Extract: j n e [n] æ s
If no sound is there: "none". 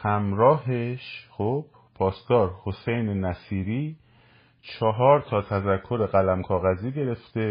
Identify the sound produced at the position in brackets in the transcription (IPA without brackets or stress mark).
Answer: n